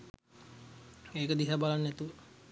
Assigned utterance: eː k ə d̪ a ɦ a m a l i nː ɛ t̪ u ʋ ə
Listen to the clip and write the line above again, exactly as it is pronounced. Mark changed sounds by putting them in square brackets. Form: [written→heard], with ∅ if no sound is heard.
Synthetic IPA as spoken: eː k ə d̪ [a→i] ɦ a [m→b] a l [i→a] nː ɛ t̪ u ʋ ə